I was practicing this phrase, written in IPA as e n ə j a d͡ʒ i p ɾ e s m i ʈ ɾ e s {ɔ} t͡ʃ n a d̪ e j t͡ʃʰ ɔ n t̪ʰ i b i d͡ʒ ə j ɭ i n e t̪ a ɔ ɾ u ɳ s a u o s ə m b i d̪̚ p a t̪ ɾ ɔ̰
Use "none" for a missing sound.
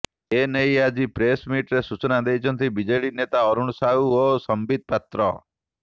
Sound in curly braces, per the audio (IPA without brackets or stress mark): u